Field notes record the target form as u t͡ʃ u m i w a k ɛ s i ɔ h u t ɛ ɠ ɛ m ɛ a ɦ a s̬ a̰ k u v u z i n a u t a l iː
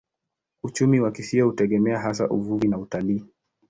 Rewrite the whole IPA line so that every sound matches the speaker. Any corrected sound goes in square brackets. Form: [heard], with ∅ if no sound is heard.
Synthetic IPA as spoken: u t͡ʃ u m i w a k [i] s i ɔ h u t ɛ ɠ ɛ m ɛ a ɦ a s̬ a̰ [ʔ] u v u [v] i n a u t a l iː